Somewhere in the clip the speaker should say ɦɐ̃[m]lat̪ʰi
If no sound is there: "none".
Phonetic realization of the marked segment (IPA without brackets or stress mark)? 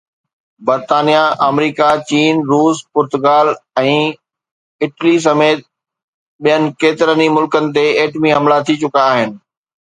m